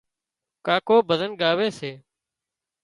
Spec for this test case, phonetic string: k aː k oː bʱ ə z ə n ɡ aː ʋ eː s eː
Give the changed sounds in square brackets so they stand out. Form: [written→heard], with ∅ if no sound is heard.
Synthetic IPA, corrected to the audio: k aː k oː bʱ ə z ə n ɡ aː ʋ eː s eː